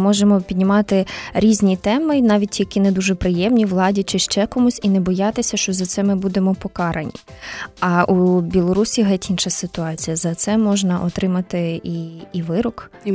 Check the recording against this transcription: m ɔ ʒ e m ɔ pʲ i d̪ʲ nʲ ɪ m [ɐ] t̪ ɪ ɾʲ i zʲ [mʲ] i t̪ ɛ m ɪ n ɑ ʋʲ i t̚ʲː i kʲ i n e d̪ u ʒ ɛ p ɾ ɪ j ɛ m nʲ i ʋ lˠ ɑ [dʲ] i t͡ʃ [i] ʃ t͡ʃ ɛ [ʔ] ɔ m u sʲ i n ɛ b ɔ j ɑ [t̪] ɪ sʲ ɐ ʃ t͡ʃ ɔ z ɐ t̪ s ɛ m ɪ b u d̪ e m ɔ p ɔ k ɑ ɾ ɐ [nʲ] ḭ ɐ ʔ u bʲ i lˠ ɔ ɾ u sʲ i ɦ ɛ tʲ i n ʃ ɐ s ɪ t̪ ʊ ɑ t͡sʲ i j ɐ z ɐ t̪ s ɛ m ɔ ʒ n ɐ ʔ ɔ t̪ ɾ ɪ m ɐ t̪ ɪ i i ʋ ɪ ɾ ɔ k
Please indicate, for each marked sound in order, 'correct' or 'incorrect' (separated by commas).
incorrect, incorrect, correct, incorrect, incorrect, correct, correct